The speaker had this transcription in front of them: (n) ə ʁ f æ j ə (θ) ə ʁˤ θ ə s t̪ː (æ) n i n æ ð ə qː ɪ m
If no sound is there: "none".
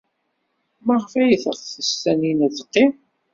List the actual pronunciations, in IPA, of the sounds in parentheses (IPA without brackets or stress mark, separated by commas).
m, θ, æ